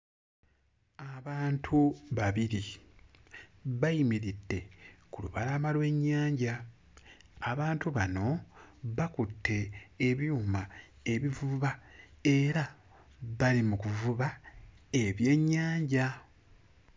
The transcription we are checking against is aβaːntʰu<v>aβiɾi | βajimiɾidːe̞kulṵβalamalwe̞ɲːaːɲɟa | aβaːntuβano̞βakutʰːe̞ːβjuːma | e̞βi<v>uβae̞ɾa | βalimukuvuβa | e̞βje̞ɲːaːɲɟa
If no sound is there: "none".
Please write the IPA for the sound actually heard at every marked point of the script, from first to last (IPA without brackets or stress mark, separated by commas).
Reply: β, v